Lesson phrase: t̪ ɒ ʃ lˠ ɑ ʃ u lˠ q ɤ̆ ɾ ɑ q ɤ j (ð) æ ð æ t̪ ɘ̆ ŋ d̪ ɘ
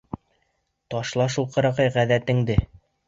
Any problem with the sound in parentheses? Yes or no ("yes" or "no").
yes